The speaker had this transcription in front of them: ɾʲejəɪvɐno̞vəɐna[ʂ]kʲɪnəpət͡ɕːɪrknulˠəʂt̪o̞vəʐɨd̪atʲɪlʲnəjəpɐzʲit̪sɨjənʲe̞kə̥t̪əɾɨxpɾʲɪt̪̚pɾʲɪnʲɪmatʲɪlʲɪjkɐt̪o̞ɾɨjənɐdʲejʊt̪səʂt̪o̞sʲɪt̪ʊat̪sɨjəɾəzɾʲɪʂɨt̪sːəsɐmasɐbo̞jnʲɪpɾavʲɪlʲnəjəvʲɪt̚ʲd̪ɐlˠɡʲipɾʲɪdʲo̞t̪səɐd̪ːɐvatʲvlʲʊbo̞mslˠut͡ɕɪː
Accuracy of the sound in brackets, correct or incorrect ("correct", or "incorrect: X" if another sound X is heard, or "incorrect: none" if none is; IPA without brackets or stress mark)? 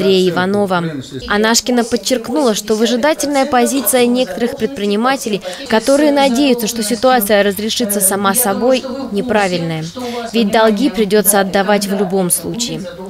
correct